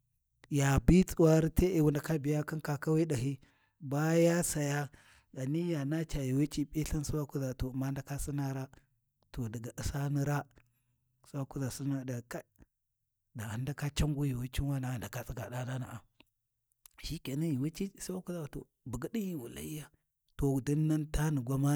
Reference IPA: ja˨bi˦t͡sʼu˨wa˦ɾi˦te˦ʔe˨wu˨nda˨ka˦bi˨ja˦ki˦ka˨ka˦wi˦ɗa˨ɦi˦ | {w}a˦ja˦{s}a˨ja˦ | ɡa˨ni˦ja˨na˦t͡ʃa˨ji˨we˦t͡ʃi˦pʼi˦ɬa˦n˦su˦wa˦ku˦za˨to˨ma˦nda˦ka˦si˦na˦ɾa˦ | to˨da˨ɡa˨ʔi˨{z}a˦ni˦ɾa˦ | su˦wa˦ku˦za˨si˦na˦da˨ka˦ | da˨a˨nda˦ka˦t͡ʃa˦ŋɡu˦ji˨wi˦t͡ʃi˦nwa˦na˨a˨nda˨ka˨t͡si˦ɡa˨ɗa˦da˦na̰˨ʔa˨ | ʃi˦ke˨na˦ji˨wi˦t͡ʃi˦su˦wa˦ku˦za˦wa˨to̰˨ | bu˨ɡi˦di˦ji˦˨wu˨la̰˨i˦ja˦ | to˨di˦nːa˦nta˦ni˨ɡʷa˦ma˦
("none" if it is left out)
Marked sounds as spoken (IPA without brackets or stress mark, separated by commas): b, s, s